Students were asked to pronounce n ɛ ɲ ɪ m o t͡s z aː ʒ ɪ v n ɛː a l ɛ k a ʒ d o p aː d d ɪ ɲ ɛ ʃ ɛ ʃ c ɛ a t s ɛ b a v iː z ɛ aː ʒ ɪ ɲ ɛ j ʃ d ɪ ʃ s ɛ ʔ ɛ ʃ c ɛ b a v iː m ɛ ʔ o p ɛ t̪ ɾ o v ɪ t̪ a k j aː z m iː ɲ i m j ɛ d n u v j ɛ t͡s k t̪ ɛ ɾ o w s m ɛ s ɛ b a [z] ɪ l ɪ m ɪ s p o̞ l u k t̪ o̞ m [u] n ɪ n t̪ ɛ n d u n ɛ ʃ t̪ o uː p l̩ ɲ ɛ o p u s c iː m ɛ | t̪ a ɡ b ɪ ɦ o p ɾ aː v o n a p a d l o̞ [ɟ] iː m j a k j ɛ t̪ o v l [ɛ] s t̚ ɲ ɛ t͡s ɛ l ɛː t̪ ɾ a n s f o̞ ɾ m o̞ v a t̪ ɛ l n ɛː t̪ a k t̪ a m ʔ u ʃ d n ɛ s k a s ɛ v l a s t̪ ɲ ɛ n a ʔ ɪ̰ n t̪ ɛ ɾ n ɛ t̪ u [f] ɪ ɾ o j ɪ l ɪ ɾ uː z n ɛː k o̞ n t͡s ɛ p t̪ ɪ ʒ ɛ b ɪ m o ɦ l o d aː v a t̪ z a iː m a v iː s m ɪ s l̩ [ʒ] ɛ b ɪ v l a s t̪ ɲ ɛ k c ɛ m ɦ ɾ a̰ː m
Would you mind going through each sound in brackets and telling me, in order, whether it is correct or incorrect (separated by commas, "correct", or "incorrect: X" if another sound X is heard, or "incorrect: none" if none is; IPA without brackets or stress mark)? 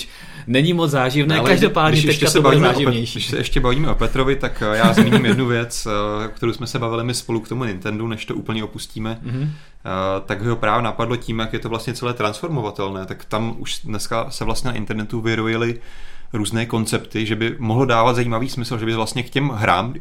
incorrect: v, correct, incorrect: c, incorrect: a, incorrect: v, correct